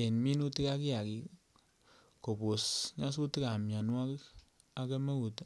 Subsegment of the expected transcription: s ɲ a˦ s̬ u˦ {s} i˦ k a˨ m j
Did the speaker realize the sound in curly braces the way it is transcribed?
no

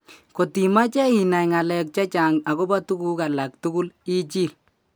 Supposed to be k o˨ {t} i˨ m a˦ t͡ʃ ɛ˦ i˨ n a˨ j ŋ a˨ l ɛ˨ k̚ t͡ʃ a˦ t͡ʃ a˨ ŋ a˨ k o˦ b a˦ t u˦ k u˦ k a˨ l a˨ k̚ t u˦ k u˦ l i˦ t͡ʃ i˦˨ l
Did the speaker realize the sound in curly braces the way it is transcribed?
yes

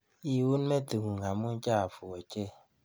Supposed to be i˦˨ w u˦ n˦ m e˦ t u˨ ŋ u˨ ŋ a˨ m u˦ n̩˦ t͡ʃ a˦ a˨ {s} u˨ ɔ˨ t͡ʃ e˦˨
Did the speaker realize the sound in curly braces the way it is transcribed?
no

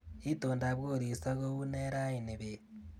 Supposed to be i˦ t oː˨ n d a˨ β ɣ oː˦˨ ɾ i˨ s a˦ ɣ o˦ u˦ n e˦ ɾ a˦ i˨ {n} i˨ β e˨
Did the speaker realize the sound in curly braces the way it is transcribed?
yes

